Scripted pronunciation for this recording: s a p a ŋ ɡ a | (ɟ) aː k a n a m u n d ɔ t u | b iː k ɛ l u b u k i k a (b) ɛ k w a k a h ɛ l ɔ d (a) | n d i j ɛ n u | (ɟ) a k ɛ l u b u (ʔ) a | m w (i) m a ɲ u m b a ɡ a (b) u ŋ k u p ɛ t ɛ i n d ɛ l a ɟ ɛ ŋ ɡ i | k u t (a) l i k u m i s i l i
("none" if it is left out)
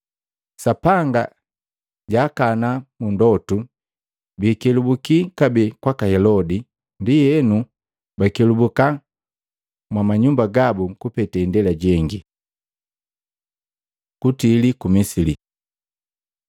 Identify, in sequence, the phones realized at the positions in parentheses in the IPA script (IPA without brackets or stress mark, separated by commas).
ɟ, b, i, b, k, a, b, i